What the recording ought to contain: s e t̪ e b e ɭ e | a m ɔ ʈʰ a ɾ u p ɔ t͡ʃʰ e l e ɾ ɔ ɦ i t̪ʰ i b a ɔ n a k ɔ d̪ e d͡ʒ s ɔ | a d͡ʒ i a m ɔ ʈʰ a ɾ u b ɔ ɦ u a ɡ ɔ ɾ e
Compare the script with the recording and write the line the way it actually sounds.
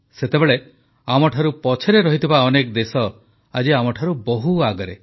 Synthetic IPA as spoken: s e t̪ e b e ɭ e | a m ɔ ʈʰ a ɾ u p ɔ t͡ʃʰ e ɾ e ɾ ɔ ɦ i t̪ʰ i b a ɔ n e k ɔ d̪ e s ɔ | a d͡ʒ i a m ɔ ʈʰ a ɾ u b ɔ ɦ u a ɡ ɔ ɾ e